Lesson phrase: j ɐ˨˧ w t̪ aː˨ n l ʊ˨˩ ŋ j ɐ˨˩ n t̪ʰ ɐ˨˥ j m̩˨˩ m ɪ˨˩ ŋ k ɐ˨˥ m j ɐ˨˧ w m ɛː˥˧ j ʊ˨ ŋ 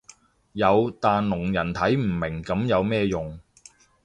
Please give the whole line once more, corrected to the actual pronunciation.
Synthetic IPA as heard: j ɐ˨˧ w t̪ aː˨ n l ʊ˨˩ ŋ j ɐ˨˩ n t̪ʰ ɐ˨˥ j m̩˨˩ m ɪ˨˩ ŋ k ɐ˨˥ m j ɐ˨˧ w m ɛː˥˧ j ʊ˨ ŋ